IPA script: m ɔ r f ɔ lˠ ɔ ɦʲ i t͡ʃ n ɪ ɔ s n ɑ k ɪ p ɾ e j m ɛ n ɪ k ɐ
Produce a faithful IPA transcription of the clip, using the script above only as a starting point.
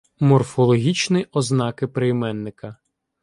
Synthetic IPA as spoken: m ɔ r f ɔ lˠ ɔ ɦʲ i t͡ʃ n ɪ ɔ z n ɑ k ɪ p ɾ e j m ɛ nː ɪ k ɐ